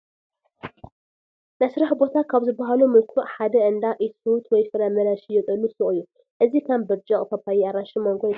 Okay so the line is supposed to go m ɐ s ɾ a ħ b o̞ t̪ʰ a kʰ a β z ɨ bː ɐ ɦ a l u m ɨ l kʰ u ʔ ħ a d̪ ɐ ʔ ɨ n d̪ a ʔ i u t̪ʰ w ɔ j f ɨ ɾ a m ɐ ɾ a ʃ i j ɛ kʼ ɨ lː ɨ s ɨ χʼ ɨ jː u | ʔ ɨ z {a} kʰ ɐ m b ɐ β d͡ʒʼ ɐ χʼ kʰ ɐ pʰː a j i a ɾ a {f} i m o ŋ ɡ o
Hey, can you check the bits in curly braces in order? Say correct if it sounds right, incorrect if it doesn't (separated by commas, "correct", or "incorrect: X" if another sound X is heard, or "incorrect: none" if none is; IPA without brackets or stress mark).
incorrect: i, incorrect: ʃ